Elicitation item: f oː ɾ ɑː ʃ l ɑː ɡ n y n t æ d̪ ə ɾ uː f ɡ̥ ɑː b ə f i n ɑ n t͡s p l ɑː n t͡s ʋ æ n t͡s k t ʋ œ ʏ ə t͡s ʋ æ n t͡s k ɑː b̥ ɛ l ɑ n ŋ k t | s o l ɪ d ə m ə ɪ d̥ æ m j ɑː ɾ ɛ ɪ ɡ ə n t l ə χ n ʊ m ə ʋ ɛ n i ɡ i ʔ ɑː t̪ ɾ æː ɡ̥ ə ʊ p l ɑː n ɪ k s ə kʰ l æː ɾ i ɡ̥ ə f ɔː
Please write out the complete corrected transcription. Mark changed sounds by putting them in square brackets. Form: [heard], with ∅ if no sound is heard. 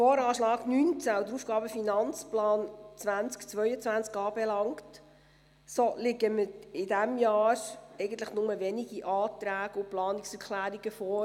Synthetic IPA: f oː ɾ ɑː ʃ l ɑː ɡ n y n [t͡s] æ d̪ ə ɾ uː f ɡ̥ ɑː b ə f i n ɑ n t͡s p l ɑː n t͡s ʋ æ n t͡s k [t͡s] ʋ œ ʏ ə t͡s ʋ æ n t͡s k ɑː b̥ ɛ l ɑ [∅] ŋ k t | s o l ɪ [ɡ] ə m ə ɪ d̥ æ m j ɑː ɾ ɛ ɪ ɡ ə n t l ə χ n ʊ m ə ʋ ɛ n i ɡ i ʔ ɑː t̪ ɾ æː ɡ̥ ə ʊ p l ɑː n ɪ k s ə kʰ l æː ɾ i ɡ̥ ə f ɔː